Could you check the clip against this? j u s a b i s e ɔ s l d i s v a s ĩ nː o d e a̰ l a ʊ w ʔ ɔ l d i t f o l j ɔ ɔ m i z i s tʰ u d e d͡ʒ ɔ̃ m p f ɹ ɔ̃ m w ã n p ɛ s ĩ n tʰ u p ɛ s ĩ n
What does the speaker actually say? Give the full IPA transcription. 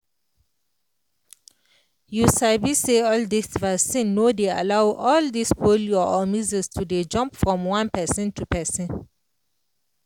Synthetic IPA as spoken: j u s a b i s e ɔ l d i s v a s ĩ nː o d e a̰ l a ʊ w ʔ ɔ l d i s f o l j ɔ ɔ m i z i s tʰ u d e d͡ʒ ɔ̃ m p f ɹ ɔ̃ m w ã n p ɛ s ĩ n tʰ u p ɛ s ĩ n

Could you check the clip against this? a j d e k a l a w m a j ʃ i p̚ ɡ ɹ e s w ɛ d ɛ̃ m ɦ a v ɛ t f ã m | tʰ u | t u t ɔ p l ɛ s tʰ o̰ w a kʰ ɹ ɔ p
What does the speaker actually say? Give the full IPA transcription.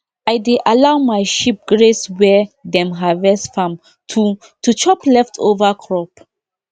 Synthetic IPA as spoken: a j d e ʔ a l a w m a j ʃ i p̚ ɡ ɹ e s w ɛ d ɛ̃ m ɦ a v ɛ s f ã m | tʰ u | t u t͡ʃ ɔ p l ɛ f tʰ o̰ v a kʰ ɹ ɔ p

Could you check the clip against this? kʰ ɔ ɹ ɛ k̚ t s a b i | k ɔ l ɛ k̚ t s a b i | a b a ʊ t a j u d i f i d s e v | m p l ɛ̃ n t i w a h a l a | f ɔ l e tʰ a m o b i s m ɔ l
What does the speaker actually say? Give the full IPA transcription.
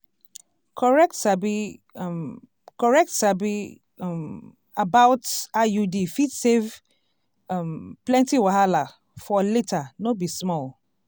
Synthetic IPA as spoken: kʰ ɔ ɹ ɛ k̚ t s a b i | k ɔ ɹ ɛ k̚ t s a b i | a b a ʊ t a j u d i f i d s e v | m p l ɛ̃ n t i w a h a l a | f ɔ l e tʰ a n o b i s m ɔ l

